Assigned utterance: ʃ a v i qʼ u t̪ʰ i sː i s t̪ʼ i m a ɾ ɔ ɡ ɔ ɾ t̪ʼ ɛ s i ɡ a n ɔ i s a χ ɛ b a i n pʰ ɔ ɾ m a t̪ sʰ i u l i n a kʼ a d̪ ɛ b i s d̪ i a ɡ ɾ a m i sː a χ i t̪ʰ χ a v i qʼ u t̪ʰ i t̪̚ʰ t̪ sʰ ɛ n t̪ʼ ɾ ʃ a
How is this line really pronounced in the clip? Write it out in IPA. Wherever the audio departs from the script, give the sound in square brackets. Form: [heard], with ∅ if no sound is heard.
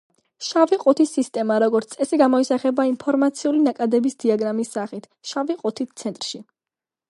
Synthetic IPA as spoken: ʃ a v i qʼ u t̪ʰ i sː i s t̪ʼ [ɛ] m a ɾ ɔ ɡ ɔ ɾ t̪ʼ ɛ s i ɡ a [m] ɔ i s a χ ɛ b a i n pʰ ɔ ɾ m a t̪ sʰ i u l i n a kʼ a d̪ ɛ b i s d̪ i a ɡ ɾ a m i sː a χ i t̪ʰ [ʃ] a v i qʼ u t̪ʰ i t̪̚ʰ t̪ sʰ ɛ n t̪ʼ ɾ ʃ [i]